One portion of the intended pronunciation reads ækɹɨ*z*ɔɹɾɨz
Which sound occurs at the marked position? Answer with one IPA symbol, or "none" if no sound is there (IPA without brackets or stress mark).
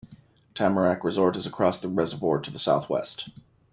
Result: z